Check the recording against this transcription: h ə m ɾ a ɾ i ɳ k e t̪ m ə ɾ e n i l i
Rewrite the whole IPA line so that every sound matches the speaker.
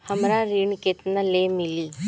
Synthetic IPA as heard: h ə m ɾ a ɾ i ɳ k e t̪ n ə l e m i l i